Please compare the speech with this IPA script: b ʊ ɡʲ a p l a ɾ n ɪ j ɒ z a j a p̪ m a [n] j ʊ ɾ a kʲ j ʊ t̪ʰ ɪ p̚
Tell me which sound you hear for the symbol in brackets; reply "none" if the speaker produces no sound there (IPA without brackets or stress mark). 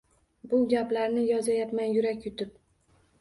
n